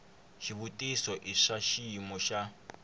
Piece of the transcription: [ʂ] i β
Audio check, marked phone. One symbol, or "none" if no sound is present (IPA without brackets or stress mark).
ʃ